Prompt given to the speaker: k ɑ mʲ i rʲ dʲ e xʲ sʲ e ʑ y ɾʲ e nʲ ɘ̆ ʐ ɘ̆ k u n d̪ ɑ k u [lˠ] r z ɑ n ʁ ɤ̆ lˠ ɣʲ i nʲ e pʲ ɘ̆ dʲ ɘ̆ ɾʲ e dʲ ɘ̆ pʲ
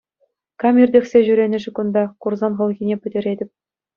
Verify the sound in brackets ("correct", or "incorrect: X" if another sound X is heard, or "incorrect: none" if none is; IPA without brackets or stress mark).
incorrect: none